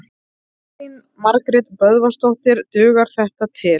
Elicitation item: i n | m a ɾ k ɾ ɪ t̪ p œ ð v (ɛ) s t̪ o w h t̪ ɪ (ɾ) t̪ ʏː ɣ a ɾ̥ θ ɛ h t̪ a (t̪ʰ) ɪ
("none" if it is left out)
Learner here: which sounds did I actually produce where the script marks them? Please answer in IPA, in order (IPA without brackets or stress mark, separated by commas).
a, ɾ, t̪ʰ